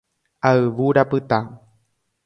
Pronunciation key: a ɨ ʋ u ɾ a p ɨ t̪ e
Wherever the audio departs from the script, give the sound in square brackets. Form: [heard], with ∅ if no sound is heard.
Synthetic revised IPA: a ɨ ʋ u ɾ a p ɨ t̪ [a]